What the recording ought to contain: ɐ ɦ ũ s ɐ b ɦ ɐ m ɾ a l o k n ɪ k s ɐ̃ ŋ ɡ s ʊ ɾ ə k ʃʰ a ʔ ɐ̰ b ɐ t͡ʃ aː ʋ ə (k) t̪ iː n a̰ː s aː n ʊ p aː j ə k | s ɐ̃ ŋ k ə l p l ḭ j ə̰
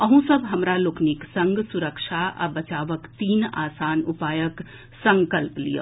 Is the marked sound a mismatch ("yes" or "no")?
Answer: no